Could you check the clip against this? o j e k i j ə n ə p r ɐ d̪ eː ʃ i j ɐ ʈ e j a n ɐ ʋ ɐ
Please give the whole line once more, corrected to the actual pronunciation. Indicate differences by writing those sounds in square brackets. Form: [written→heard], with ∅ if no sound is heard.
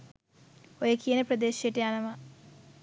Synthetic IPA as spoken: o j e k i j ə n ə p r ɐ d̪ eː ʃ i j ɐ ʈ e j a n ɐ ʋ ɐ